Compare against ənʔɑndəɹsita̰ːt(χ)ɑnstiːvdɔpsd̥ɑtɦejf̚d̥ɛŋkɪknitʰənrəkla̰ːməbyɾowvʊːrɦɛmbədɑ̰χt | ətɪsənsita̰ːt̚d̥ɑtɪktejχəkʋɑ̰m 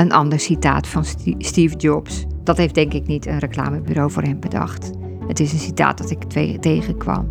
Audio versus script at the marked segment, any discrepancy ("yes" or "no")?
yes